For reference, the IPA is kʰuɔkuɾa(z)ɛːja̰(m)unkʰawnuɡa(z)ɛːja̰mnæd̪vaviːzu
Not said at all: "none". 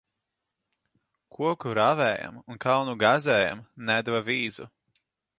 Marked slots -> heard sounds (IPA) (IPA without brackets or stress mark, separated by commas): v, m, z